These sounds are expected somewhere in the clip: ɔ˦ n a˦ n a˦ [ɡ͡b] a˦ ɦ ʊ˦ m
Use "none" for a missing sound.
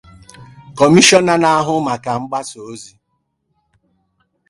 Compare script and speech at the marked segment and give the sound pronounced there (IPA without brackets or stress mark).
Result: none